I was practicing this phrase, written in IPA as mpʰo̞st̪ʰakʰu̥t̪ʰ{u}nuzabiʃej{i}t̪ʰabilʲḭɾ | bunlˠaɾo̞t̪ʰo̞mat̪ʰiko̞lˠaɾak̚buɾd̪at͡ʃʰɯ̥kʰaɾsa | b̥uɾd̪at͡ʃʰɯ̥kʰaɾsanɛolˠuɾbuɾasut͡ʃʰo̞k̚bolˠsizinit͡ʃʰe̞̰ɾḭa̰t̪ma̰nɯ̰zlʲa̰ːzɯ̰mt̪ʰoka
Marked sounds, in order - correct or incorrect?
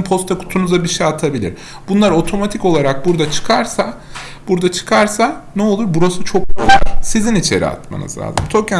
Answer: correct, incorrect: a

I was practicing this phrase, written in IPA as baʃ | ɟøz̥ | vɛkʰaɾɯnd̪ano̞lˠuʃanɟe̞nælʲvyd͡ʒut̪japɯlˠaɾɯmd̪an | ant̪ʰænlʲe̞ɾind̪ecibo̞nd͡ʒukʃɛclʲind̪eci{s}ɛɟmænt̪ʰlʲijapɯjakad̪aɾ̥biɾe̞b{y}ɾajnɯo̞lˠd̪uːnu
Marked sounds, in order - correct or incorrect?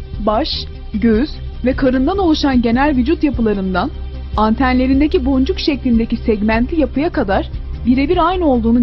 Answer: correct, incorrect: i

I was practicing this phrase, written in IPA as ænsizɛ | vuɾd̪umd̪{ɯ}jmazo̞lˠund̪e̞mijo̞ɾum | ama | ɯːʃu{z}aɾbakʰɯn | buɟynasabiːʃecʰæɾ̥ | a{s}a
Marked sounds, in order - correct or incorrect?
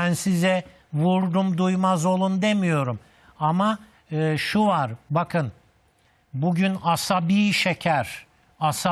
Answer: incorrect: u, incorrect: v, correct

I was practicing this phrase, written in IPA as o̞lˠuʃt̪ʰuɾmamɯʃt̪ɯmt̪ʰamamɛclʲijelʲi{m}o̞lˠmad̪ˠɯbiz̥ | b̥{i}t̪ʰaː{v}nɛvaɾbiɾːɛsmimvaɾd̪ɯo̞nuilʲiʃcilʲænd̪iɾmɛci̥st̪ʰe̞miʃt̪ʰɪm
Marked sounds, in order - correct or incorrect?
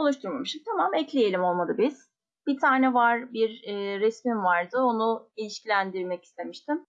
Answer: correct, correct, incorrect: none

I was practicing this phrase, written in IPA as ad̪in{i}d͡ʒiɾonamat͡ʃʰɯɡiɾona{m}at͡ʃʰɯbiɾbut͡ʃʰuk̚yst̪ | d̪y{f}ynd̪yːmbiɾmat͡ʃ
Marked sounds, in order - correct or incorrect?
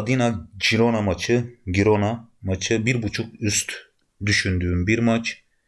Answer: incorrect: a, correct, incorrect: ʃ

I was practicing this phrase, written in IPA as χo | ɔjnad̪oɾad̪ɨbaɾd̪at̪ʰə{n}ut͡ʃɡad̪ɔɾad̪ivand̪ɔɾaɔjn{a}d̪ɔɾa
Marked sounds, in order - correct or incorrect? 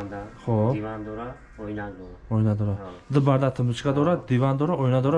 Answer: incorrect: m, correct

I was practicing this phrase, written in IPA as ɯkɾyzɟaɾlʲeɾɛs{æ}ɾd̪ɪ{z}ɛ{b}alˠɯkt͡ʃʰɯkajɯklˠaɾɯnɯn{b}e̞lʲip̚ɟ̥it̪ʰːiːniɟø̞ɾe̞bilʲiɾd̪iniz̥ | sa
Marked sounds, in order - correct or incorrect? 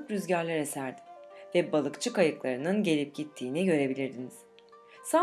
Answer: correct, incorrect: v, correct, incorrect: ɟ

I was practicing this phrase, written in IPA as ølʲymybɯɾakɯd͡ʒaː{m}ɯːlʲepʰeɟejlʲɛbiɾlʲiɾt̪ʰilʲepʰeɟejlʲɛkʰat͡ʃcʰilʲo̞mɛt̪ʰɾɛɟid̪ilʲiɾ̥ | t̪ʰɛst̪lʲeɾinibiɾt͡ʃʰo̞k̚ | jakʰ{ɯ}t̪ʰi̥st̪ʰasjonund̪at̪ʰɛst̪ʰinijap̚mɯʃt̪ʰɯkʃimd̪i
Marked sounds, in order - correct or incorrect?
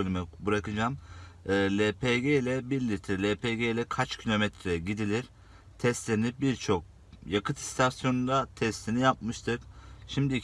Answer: correct, correct

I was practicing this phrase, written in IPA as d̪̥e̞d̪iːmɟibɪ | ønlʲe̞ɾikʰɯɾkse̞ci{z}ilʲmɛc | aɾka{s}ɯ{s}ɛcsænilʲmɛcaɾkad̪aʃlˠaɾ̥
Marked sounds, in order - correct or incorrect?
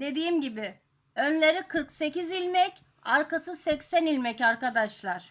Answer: correct, correct, correct

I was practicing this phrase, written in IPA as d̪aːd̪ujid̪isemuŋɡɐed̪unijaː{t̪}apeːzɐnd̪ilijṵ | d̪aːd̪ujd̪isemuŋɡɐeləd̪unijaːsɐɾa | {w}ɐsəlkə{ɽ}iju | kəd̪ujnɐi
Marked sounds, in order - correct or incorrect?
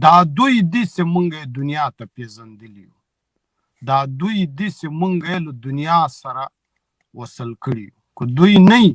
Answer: correct, correct, correct

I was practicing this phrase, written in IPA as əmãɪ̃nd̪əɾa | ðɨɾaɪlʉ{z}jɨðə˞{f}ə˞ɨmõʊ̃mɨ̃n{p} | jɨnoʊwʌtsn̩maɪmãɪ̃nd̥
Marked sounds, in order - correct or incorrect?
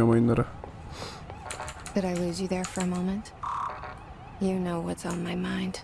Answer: correct, correct, incorrect: t

